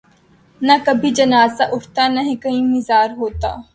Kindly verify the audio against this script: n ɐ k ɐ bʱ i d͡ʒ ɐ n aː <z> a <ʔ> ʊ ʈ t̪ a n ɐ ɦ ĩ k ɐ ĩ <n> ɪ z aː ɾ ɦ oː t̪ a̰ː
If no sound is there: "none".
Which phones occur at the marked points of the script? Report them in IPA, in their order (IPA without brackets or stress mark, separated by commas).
z, ʔ, m